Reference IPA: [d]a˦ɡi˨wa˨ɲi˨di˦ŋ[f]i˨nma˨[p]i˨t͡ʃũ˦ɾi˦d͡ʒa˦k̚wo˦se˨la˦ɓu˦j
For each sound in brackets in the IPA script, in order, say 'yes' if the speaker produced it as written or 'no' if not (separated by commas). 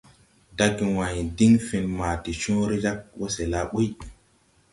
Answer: yes, yes, no